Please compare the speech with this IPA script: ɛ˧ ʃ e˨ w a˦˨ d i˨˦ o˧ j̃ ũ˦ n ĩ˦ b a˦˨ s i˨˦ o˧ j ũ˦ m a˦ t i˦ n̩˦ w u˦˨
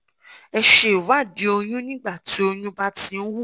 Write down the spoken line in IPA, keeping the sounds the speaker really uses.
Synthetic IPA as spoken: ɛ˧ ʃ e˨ w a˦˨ d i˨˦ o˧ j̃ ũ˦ n ĩ˦ ɡ͡b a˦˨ t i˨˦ o˧ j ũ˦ b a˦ t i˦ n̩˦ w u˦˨